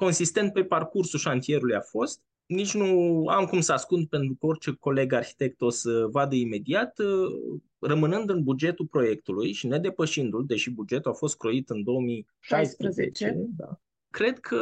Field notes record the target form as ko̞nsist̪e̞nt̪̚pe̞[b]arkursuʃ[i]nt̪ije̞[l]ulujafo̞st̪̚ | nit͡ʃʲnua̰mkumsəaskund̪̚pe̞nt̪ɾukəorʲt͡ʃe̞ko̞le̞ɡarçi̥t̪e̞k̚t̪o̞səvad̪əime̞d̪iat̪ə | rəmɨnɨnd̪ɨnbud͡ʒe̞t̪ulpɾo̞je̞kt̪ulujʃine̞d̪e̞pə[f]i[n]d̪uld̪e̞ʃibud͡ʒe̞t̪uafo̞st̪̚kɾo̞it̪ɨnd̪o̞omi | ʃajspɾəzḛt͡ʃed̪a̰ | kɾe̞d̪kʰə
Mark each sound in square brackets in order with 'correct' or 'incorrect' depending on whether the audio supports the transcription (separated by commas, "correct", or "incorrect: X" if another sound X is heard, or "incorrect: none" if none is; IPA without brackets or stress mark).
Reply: incorrect: p, incorrect: a, incorrect: ɾ, incorrect: ʃ, correct